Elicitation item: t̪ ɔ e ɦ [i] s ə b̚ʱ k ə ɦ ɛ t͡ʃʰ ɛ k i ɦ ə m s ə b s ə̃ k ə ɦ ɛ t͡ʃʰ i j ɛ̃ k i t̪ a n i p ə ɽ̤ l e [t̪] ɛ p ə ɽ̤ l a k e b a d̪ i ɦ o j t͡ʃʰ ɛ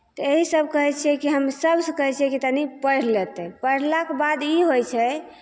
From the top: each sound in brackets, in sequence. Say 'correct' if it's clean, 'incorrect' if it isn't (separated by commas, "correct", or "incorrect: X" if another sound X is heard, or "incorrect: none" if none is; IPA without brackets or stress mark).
correct, correct